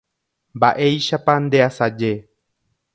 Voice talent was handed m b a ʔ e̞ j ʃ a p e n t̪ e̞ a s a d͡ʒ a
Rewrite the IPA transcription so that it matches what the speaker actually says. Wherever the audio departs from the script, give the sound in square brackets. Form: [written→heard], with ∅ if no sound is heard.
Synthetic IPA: m b a ʔ e̞ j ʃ a p [e→a] n [t̪→d̪] e̞ a s a d͡ʒ [a→e]

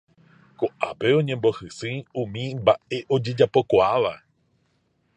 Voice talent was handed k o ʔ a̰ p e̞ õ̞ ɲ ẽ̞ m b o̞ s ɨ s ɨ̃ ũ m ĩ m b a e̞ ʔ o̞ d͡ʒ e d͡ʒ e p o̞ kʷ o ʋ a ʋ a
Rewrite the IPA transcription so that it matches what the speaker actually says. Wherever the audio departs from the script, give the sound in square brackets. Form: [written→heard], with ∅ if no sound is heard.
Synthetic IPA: k o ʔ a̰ p e̞ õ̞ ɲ ẽ̞ m b o̞ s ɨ s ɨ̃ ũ m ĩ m b a e̞ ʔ o̞ d͡ʒ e d͡ʒ [e→a] p o̞ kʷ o [ʋ→∅] a ʋ a

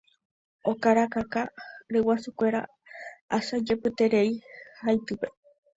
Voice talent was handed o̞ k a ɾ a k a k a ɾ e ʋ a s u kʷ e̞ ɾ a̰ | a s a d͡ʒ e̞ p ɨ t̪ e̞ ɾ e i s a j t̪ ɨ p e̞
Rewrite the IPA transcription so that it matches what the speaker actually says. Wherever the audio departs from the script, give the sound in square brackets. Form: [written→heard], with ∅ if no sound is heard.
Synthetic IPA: o̞ k a ɾ a k a k a ɾ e [ʋ→w] a s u kʷ e̞ ɾ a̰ | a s a d͡ʒ e̞ p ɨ t̪ e̞ ɾ e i [s→h] a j t̪ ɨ p e̞

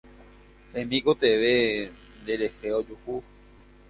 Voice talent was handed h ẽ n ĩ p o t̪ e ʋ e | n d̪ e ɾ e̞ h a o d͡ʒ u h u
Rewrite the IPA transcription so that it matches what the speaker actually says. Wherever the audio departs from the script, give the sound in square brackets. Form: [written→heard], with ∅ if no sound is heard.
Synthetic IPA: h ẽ [n→m] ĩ [p→k] o t̪ e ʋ e | n d̪ e ɾ e̞ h [a→e] o d͡ʒ u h u

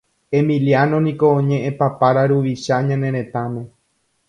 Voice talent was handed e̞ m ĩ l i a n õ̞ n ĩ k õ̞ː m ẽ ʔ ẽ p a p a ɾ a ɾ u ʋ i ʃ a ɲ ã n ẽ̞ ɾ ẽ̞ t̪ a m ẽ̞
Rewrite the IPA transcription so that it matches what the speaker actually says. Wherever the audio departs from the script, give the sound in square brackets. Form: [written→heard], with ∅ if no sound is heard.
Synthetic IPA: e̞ m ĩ l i a n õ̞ n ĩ k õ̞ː [m→ɲ] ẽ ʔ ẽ p a p a ɾ a ɾ u ʋ i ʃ a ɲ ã n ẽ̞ ɾ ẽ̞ t̪ a m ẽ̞

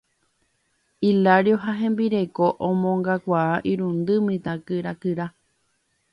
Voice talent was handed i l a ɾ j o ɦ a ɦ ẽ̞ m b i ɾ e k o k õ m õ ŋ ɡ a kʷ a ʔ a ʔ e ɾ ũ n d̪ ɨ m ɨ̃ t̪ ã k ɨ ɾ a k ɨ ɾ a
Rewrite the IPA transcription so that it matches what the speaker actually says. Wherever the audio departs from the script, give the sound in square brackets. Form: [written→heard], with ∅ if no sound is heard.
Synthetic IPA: i l a ɾ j o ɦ a ɦ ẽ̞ m b i ɾ e k o [k→ʔ] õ m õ ŋ ɡ a kʷ a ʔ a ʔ [e→i] ɾ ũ n d̪ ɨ m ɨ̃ t̪ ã k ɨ ɾ a k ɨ ɾ a

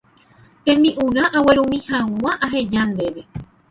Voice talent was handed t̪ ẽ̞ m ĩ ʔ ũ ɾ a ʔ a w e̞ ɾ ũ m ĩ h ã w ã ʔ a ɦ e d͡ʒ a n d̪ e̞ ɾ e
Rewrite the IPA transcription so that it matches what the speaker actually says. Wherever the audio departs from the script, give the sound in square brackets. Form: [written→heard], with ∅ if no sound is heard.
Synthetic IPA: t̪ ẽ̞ m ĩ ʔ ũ ɾ a ʔ a w e̞ ɾ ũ m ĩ h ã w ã ʔ a ɦ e d͡ʒ a n d̪ e̞ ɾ e

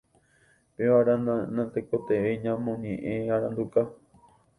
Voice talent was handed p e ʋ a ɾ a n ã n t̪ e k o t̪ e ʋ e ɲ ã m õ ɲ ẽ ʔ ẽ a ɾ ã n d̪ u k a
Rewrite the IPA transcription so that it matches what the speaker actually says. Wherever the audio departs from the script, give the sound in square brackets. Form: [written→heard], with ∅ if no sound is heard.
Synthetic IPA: p e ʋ a ɾ a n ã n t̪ e k o t̪ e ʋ e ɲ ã m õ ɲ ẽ ʔ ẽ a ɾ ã n d̪ u k a

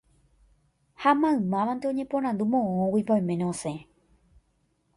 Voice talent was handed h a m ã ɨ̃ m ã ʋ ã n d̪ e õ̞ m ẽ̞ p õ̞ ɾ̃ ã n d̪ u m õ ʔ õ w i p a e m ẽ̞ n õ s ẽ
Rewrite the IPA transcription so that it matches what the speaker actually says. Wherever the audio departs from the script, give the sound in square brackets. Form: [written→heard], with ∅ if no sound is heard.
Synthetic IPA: h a m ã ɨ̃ m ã ʋ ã n d̪ e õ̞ [m→ɲ] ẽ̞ p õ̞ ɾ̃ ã n d̪ u m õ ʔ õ w i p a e m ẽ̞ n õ s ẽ

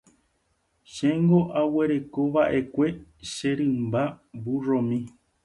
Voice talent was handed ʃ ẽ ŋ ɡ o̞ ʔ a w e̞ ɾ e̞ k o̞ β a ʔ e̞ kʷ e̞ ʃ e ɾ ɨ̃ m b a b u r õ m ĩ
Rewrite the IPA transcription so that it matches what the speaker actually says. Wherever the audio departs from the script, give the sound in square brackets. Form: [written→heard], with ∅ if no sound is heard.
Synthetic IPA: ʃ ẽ ŋ ɡ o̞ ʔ a w e̞ ɾ e̞ k o̞ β a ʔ e̞ kʷ e̞ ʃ e ɾ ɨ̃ m b a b u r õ m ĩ

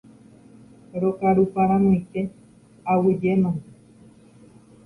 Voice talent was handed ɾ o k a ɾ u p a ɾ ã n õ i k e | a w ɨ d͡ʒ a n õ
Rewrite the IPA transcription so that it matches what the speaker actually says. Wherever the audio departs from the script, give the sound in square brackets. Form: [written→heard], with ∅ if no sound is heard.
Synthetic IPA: ɾ o k a ɾ u p a ɾ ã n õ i k e | a w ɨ d͡ʒ [a→e] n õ

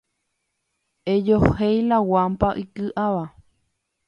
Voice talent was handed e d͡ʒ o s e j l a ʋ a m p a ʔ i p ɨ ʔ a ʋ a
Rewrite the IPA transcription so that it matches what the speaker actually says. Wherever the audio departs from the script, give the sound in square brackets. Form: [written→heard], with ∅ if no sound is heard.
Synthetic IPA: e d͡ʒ o [s→h] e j l a [ʋ→w] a m p a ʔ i [p→k] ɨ ʔ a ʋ a

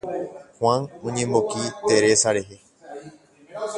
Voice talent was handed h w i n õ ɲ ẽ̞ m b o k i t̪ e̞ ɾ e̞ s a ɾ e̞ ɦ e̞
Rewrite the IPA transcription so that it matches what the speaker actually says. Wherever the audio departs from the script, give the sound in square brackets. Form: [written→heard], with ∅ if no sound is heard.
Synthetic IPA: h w [i→a] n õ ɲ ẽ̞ m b o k i t̪ e̞ ɾ e̞ s a ɾ e̞ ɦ e̞

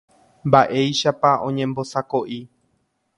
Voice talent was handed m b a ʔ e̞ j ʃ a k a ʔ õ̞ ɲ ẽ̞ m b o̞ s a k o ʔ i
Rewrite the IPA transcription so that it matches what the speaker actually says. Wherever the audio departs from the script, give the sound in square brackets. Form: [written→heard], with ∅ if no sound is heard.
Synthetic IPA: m b a ʔ e̞ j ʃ a [k→p] a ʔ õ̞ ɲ ẽ̞ m b o̞ s a k o ʔ i

